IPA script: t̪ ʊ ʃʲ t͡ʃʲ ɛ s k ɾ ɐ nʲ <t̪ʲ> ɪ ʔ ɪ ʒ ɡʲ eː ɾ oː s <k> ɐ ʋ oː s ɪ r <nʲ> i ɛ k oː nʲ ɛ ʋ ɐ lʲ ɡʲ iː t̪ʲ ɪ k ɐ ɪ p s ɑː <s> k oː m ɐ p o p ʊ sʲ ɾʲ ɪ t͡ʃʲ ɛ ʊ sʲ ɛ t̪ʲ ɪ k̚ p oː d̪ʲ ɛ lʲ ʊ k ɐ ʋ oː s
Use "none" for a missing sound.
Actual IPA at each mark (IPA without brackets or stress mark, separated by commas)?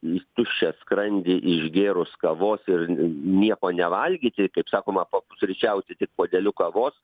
d̪ʲ, k, nʲ, none